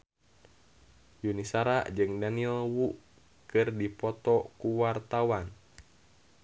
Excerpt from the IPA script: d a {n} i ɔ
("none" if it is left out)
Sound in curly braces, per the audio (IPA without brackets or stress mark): n